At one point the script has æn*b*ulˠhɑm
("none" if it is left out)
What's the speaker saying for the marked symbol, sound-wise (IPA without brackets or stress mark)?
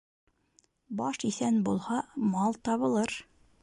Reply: b